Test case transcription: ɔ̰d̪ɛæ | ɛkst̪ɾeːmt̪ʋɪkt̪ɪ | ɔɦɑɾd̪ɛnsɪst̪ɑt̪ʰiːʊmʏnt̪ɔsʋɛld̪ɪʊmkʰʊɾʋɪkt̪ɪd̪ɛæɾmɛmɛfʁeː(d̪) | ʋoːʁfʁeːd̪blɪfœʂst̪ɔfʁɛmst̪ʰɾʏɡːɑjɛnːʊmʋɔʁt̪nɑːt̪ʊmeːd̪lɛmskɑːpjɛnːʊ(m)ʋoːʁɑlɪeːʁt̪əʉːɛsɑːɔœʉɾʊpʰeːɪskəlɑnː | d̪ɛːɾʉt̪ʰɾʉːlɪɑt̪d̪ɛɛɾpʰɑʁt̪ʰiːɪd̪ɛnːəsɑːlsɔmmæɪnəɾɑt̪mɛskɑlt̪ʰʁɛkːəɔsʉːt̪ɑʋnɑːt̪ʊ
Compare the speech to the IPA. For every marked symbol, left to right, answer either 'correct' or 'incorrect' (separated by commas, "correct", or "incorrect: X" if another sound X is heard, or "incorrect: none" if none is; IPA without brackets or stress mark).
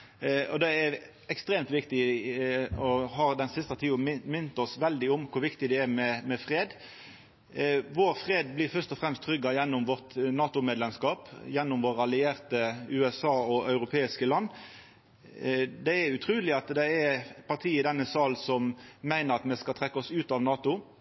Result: correct, correct